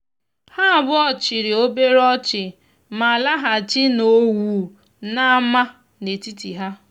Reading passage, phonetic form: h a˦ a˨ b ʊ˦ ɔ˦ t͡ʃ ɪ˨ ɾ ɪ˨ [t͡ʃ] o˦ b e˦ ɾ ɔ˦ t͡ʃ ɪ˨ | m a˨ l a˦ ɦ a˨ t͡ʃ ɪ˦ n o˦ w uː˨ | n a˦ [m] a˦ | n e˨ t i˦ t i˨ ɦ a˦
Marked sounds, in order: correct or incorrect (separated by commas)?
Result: incorrect, correct